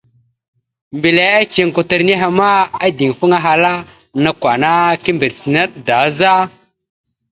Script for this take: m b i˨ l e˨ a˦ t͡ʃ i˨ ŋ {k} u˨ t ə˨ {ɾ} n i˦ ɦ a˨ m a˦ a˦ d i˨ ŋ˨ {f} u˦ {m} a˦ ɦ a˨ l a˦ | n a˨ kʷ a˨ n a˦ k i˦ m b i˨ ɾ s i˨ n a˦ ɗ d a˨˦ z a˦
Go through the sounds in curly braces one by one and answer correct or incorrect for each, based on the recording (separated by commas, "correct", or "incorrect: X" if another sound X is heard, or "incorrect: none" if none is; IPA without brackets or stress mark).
correct, correct, correct, incorrect: ŋ